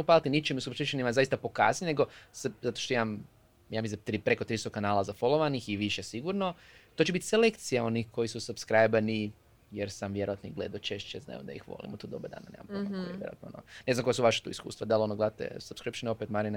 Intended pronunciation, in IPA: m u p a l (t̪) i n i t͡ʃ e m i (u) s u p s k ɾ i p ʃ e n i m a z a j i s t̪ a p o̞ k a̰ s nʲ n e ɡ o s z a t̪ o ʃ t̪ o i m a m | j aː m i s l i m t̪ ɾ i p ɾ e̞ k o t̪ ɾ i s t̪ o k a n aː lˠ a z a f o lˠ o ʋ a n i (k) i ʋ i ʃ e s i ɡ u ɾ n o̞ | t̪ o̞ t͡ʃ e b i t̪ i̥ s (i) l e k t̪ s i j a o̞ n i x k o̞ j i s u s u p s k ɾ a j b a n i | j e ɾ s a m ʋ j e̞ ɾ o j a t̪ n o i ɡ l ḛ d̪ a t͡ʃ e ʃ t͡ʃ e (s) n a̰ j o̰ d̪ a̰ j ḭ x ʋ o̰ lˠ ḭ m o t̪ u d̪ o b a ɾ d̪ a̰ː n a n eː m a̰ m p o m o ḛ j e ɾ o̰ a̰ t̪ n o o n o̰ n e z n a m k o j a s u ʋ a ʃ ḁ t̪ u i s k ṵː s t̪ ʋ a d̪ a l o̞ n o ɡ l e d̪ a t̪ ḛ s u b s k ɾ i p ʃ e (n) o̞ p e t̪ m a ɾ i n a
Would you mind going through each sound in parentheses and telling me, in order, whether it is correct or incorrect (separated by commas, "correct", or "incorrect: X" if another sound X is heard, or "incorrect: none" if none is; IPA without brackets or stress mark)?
correct, correct, incorrect: x, incorrect: e, incorrect: z, correct